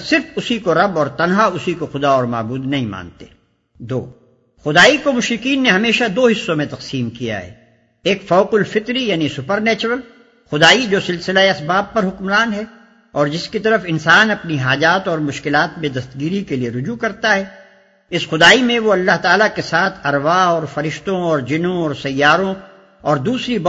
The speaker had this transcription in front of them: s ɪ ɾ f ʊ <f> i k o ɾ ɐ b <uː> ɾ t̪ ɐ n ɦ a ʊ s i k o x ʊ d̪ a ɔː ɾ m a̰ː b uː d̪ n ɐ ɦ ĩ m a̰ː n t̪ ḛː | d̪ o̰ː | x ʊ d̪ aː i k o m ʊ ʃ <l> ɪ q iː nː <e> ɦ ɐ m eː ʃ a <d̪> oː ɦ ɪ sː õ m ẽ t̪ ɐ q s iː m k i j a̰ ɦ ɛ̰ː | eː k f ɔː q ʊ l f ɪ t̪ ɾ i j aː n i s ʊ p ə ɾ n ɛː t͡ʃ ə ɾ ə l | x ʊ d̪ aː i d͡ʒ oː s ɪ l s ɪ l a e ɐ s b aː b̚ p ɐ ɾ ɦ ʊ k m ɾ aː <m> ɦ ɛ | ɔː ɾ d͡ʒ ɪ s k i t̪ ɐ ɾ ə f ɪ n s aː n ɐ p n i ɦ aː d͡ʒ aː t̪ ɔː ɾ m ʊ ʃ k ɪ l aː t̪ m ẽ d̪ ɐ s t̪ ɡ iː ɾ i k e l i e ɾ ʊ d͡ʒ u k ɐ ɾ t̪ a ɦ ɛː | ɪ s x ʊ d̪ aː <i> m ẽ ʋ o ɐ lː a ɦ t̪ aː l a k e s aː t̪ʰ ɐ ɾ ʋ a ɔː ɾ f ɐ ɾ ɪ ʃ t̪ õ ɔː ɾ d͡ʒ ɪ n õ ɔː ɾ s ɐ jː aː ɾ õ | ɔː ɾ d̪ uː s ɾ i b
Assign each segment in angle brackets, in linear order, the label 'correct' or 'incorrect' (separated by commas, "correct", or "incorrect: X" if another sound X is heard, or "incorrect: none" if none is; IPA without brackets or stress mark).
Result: incorrect: s, incorrect: ɔː, incorrect: ɾ, correct, correct, incorrect: n, correct